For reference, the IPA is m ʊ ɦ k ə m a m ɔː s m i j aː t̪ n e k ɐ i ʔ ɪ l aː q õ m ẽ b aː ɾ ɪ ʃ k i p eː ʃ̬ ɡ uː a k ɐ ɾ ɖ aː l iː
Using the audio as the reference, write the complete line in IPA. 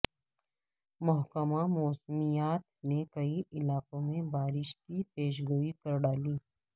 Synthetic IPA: m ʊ ɦ k ə m a m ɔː s m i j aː t̪ n e k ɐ i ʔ ɪ l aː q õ m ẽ b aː ɾ ɪ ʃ k i p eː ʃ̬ ɡ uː i k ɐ ɾ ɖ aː l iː